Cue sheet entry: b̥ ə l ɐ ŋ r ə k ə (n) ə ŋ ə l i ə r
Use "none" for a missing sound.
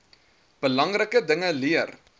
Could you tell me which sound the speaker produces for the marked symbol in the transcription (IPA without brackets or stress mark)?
d